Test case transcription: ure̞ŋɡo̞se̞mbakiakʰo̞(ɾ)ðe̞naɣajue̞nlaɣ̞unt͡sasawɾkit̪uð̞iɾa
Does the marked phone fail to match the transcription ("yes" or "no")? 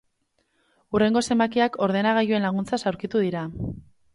no